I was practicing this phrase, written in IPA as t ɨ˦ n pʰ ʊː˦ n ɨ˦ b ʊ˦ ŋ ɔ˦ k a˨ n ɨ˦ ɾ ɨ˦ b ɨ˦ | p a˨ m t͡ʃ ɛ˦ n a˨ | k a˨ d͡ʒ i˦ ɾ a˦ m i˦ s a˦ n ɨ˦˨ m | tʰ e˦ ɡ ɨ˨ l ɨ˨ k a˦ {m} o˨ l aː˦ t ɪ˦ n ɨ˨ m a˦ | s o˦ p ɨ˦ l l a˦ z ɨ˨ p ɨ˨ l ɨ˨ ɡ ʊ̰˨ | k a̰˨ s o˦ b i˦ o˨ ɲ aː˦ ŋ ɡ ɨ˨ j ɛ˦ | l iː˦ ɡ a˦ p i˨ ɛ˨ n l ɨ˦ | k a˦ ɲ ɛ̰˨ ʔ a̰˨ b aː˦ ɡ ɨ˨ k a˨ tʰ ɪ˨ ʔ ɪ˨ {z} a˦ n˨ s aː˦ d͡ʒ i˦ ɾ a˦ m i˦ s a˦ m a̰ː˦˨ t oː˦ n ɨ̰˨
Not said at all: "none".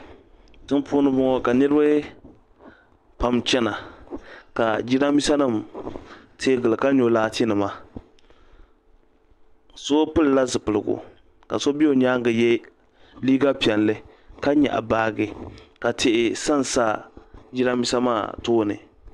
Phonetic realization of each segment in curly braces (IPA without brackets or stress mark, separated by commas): ɲ, s